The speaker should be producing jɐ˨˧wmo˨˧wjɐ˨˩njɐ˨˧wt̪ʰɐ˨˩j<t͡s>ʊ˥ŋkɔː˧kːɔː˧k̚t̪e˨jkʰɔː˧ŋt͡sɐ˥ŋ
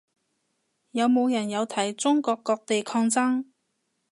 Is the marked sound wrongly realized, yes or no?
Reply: no